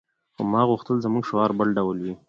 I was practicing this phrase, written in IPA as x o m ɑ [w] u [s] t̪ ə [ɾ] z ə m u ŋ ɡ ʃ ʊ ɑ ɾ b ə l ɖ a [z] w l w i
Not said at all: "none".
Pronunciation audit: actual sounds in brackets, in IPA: ɣ, x, l, none

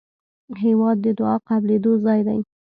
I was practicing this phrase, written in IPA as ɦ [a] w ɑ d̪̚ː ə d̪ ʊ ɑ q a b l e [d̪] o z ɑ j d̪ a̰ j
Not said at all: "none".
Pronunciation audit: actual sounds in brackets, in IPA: e, d̪

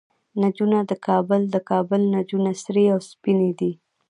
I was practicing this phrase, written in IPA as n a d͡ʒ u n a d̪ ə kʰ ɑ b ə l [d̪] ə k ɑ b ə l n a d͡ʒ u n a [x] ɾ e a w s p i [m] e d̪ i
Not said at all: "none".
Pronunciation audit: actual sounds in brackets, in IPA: d̪, s, n

